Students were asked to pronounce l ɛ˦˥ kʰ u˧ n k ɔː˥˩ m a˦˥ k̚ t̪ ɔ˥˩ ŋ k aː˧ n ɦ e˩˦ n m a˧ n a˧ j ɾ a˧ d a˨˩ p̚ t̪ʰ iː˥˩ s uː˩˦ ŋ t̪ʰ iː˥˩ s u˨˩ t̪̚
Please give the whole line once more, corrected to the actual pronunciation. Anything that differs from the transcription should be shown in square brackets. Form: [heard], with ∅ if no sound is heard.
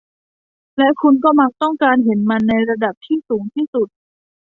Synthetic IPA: l ɛ˦˥ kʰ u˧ n k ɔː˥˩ m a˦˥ k̚ t̪ ɔ˥˩ ŋ k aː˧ n ɦ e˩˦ n m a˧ [nː] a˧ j ɾ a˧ d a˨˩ p̚ t̪ʰ iː˥˩ s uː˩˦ ŋ t̪ʰ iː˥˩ s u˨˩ t̪̚

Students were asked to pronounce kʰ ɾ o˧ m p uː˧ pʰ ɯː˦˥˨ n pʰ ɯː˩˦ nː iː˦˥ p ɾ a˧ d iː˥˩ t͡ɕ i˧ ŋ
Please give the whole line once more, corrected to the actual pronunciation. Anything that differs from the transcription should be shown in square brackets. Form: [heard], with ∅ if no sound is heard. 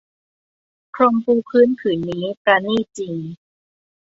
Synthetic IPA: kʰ ɾ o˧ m p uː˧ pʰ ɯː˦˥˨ n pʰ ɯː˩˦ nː iː˦˥ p ɾ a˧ [n] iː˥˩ t͡ɕ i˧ ŋ

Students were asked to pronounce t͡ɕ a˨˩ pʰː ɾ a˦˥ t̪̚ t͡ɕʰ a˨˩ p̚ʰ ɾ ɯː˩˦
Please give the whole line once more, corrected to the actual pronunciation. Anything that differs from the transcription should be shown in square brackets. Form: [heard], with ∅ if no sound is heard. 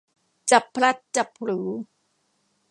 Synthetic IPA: t͡ɕ a˨˩ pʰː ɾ a˦˥ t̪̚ [t͡ɕ] a˨˩ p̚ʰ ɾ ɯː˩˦

